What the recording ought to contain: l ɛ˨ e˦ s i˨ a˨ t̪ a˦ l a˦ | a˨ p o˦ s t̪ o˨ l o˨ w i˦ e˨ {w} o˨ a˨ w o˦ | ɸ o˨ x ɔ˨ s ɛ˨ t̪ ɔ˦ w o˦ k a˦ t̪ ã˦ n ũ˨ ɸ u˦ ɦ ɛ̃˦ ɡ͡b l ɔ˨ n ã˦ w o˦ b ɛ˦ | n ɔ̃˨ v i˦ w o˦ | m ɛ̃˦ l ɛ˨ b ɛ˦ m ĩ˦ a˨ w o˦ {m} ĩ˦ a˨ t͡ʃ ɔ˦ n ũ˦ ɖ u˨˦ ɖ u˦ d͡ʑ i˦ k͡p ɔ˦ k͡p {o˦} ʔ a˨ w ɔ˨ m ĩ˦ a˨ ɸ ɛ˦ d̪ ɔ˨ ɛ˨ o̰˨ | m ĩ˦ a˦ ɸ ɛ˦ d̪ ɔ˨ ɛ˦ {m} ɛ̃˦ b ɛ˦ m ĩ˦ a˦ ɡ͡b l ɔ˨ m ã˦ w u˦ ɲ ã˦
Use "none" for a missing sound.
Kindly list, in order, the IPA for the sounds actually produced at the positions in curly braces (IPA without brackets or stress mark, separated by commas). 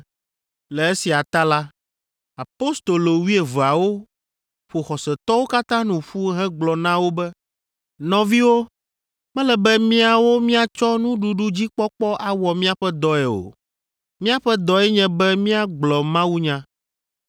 v, m, ɔ˦, ɲ